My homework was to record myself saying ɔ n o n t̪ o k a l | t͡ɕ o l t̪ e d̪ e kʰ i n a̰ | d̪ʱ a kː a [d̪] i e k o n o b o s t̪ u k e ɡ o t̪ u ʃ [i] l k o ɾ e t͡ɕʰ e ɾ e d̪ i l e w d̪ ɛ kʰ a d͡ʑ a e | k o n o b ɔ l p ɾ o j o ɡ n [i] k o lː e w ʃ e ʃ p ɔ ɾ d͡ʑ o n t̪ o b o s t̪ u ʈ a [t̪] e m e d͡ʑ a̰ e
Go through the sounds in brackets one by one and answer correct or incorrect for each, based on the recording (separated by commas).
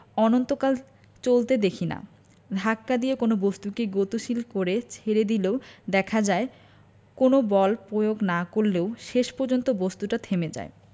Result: correct, correct, incorrect, incorrect